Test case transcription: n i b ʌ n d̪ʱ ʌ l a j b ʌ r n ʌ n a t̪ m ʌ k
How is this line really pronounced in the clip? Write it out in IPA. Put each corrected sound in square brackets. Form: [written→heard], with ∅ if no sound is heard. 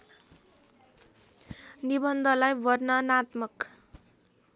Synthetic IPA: n i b ʌ n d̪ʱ ʌ l a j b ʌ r n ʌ n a t̪ m ʌ k